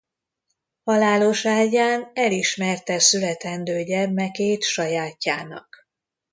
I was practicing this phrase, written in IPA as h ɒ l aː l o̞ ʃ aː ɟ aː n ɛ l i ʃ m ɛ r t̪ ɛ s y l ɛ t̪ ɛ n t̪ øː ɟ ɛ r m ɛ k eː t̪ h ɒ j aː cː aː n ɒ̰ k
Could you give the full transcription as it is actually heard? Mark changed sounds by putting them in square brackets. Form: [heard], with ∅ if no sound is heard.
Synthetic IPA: h ɒ l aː l o̞ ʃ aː ɟ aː n ɛ l i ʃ m ɛ r t̪ ɛ s y l ɛ t̪ ɛ n [d̪] øː ɟ ɛ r m ɛ k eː t̪ [ʃ] ɒ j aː cː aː n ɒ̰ k